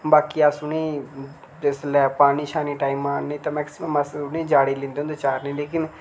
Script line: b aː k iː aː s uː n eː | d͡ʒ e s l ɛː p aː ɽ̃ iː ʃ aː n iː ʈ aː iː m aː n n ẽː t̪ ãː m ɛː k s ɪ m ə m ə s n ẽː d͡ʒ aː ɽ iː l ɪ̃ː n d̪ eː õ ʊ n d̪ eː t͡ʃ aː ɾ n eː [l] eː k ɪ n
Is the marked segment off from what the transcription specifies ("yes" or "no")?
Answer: no